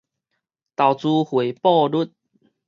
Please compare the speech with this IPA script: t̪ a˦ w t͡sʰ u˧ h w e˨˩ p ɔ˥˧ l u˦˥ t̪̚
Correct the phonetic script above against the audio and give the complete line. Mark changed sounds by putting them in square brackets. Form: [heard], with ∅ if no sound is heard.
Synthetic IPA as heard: t̪ [a˨˩] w [t͡s] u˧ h w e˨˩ p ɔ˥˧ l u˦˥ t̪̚